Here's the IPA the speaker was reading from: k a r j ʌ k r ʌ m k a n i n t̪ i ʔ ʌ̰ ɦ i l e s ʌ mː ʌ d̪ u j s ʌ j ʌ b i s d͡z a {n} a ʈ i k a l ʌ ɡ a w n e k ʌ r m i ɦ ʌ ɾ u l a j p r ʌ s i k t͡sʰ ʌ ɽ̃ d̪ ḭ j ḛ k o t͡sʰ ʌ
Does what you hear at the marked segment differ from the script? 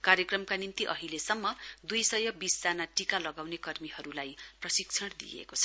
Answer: no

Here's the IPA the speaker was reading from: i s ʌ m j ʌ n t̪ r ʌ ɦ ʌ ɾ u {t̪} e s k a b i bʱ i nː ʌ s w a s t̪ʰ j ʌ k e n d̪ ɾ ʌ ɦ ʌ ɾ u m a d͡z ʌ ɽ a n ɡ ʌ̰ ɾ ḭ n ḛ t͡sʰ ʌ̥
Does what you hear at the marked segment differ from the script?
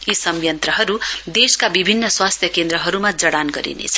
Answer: yes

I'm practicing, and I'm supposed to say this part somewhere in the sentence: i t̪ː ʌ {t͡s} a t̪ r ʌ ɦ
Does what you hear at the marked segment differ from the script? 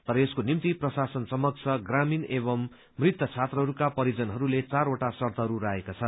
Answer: yes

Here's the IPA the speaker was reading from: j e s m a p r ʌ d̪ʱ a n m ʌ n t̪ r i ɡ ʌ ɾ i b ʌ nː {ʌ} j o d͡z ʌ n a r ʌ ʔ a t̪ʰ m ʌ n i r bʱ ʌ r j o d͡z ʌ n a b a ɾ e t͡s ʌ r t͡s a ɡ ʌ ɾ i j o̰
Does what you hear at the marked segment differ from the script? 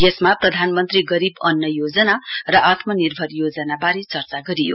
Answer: no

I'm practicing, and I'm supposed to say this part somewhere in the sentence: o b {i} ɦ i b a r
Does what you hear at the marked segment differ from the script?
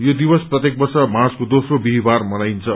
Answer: no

